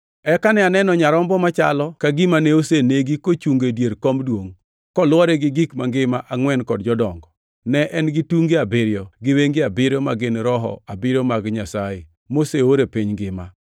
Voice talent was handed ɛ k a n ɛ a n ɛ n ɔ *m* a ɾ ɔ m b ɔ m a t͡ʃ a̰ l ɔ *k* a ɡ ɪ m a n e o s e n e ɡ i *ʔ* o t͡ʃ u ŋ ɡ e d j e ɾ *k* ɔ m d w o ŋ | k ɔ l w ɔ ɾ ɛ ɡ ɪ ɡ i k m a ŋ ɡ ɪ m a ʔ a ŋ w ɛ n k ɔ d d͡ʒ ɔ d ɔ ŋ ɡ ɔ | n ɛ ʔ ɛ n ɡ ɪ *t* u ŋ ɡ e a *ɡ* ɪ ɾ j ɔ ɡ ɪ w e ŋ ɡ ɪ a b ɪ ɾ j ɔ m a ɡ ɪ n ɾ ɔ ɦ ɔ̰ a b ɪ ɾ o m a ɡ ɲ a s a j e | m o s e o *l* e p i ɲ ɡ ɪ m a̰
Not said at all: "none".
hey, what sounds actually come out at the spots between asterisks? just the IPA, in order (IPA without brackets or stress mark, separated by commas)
ɲ, k, k, k, t, b, ɾ